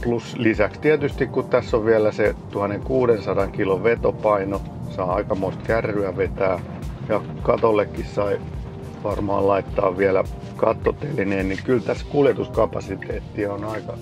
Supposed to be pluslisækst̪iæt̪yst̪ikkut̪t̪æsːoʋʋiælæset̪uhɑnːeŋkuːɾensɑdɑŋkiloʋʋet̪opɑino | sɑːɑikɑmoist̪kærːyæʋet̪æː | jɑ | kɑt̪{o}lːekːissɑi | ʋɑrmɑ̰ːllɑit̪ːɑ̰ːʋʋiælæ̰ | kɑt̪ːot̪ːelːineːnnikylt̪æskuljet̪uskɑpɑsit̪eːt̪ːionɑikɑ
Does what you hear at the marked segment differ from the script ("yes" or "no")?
no